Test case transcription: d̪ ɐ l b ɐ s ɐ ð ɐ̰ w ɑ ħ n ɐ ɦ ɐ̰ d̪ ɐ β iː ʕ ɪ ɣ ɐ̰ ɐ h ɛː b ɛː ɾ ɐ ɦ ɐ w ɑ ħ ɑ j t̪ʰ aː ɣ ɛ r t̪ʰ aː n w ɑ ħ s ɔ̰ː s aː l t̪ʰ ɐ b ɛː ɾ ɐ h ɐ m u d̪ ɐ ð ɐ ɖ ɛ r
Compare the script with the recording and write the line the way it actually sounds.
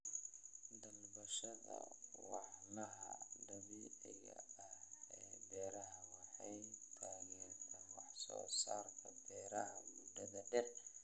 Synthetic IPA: d̪ ɐ l b ɐ ʃ ɐ ð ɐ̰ w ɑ ħ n ɐ ɦ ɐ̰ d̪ ɐ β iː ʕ ɪ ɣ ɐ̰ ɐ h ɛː b ɛː ɾ ɐ ɦ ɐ w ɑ ħ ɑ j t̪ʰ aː ɣ ɛ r t̪ʰ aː n w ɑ ħ s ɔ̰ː s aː r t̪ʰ ɐ b ɛː ɾ ɐ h ɐ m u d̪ ɐ ð ɐ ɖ ɛ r